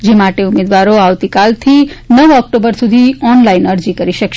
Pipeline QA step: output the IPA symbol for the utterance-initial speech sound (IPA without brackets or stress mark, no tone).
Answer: d͡ʒ